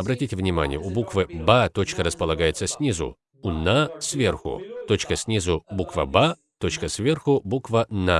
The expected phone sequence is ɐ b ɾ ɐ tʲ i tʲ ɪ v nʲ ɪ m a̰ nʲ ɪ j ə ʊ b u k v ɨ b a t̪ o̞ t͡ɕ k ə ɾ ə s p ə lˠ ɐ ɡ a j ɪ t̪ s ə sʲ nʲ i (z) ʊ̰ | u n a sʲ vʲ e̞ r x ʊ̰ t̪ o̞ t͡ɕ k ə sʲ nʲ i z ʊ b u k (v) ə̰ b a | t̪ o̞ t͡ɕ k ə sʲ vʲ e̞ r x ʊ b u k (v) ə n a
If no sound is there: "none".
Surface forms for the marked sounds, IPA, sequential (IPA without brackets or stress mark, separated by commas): z, v, v